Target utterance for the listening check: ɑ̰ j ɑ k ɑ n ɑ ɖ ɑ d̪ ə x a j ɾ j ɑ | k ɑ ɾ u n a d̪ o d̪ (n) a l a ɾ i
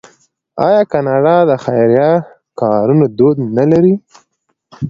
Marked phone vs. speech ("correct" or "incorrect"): correct